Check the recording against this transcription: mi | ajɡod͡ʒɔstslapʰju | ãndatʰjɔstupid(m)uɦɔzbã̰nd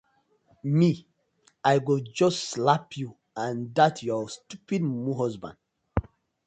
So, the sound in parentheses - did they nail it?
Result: yes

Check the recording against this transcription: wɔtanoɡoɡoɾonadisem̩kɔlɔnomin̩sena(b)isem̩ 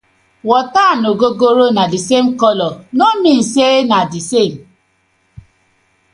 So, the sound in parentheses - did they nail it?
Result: no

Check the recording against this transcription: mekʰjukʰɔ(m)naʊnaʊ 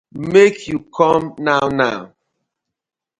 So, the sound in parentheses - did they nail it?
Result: yes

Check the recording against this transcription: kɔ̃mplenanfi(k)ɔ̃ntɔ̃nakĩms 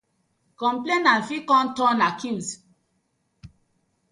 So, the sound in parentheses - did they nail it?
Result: yes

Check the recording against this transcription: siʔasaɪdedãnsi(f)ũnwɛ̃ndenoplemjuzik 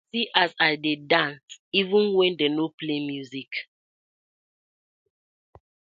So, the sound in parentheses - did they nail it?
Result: no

